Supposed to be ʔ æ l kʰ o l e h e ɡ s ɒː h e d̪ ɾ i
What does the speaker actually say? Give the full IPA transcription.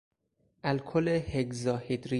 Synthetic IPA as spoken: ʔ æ l kʰ o l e h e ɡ z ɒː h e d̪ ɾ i